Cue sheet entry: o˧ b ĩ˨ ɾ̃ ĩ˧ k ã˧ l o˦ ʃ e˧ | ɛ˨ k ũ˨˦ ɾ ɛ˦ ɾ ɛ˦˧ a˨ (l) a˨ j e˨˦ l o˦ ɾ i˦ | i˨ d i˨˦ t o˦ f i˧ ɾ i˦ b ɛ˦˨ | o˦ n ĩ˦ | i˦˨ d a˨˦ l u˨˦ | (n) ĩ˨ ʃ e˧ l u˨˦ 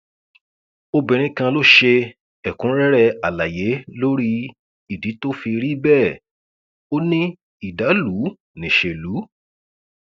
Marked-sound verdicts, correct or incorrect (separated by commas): correct, correct